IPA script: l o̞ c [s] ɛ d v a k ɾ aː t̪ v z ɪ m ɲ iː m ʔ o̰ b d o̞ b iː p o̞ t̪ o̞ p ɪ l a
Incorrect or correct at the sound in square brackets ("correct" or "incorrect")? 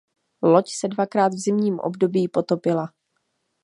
correct